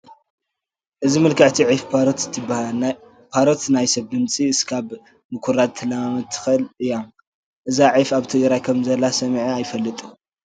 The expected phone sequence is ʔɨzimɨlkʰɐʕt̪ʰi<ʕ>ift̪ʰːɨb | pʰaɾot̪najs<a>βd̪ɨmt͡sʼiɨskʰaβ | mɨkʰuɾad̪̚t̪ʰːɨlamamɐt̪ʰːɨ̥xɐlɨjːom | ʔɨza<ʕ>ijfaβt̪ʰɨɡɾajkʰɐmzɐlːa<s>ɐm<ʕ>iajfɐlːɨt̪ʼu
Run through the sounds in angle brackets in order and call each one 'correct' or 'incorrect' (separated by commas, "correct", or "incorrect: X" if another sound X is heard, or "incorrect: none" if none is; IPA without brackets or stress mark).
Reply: correct, incorrect: ɐ, correct, correct, correct